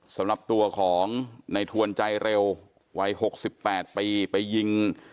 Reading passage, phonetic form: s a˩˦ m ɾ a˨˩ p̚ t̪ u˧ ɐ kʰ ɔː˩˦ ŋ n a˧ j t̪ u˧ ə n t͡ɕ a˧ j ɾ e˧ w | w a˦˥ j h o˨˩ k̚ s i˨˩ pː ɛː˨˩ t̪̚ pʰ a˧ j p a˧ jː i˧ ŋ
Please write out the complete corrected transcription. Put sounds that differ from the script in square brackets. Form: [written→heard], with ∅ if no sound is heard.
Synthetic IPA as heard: s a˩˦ m ɾ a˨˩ p̚ t̪ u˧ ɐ kʰ ɔː˩˦ ŋ n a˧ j [t̪→t̪ʰ] u˧ ə n t͡ɕ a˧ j ɾ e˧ w | w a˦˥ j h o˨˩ k̚ s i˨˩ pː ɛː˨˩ t̪̚ [pʰ→p] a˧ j p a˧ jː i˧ ŋ